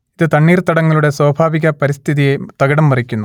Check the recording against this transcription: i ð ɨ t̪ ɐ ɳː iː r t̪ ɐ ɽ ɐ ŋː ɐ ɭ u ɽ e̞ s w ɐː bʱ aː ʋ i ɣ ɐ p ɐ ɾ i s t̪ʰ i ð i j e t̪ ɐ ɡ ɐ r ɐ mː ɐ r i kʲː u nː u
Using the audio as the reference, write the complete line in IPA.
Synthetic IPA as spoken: i ð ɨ t̪ ɐ ɳː iː r t̪ ɐ ɽ ɐ ŋː ɐ ɭ u ɽ e̞ s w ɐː bʱ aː ʋ i ɣ ɐ p ɐ ɾ i s t̪ʰ i ð i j e t̪ ɐ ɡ ɐ ɽ ɐ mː ɐ r i kʲː u nː u